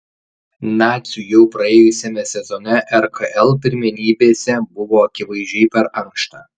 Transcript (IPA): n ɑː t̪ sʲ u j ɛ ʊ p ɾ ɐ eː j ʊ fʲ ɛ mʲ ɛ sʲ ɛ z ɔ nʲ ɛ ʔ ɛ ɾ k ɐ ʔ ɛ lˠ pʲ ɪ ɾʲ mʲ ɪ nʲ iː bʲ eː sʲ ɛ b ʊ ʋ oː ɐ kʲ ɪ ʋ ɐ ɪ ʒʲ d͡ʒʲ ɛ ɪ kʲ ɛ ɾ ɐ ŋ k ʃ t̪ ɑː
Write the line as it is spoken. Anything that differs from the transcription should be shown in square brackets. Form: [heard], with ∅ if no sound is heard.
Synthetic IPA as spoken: n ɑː t̪ sʲ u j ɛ ʊ p ɾ ɐ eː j ʊ [sʲ] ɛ mʲ ɛ sʲ ɛ z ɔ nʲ ɛ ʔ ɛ ɾ k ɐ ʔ ɛ lˠ pʲ ɪ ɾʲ mʲ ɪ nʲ iː bʲ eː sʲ ɛ b ʊ ʋ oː ɐ kʲ ɪ ʋ ɐ ɪ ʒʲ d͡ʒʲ ɛ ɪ [pʲ] ɛ ɾ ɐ ŋ k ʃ t̪ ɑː